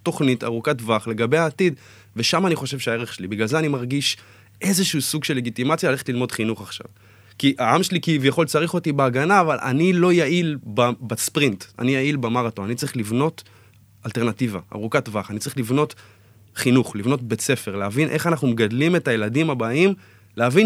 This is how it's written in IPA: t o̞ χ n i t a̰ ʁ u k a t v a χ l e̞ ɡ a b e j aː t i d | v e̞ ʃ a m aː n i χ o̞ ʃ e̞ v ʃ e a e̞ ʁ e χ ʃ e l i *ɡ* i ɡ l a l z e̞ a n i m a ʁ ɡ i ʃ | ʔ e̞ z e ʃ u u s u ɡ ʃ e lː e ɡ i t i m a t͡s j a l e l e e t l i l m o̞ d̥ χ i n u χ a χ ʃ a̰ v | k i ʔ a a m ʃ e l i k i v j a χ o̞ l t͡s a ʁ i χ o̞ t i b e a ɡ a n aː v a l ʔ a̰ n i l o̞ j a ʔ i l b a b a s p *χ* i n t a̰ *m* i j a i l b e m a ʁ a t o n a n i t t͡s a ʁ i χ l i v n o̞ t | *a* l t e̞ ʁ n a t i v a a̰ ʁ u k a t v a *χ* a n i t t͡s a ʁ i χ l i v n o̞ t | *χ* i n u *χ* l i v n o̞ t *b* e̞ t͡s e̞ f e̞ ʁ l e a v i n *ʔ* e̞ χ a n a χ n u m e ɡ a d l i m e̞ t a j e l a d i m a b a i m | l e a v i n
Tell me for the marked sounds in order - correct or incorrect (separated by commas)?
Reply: incorrect, incorrect, incorrect, correct, correct, correct, correct, correct, correct